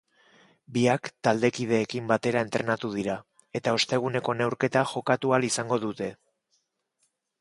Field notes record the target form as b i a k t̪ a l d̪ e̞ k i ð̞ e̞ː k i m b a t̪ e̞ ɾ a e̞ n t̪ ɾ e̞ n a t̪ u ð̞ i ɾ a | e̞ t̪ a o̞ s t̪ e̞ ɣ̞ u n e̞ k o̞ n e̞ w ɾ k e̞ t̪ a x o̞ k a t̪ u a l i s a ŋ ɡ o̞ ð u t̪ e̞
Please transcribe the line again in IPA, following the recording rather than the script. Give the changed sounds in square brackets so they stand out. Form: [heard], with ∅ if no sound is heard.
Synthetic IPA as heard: b i a k t̪ a l d̪ e̞ k i ð̞ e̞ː k i m b a t̪ e̞ ɾ a e̞ n t̪ ɾ e̞ n a t̪ u ð̞ i ɾ a | e̞ t̪ a o̞ s t̪ e̞ ɣ̞ u n e̞ k o̞ n e̞ w ɾ k e̞ t̪ a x o̞ k a t̪ u a l i s a ŋ ɡ o̞ ð u t̪ e̞